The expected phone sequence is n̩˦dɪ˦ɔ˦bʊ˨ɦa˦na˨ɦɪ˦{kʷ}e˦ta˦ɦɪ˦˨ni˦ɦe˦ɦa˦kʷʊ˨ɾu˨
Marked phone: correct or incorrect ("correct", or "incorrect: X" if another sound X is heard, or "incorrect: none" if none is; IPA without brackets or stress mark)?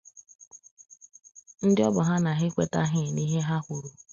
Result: correct